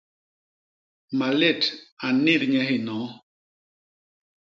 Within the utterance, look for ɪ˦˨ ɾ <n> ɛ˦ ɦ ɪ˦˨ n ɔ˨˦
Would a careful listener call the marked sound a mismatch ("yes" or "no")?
yes